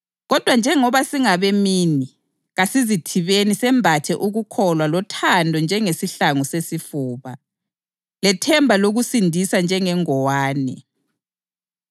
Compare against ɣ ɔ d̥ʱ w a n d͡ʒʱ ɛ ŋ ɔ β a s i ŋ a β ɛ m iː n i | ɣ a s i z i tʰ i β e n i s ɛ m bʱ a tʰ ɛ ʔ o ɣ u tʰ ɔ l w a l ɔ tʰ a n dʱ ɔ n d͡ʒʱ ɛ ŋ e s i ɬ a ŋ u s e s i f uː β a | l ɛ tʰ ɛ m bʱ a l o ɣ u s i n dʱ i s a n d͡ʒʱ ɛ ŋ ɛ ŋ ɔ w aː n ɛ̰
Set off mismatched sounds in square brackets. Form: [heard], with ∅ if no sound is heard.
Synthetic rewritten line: ɣ ɔ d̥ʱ w a n d͡ʒʱ ɛ ŋ ɔ β a s i ŋ a β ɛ m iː n i | ɣ a s i z i tʰ i β e n i s ɛ m bʱ a tʰ ɛ ʔ [u] ɣ u [kʰ] ɔ l w a l ɔ tʰ a n dʱ ɔ n d͡ʒʱ ɛ ŋ e s i ɬ a ŋ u s e s i f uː β a | l ɛ tʰ ɛ m bʱ a l o ɣ u s i n dʱ i s a n d͡ʒʱ ɛ ŋ ɛ ŋ ɔ w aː n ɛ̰